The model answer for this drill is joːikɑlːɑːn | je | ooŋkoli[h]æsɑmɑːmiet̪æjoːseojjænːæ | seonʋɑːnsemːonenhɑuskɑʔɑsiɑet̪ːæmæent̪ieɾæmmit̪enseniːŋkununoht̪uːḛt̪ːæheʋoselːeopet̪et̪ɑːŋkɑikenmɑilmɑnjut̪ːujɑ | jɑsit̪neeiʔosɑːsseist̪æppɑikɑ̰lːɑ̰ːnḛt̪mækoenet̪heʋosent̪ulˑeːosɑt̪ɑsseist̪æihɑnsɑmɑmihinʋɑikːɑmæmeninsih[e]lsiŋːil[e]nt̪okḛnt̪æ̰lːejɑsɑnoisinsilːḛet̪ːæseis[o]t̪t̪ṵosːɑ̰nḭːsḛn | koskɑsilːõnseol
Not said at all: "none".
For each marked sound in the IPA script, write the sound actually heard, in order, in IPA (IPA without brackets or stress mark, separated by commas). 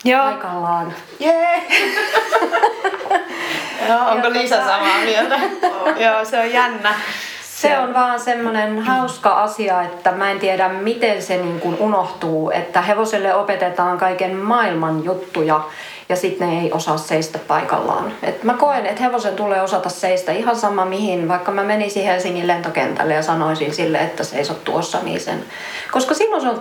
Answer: s, e, e, o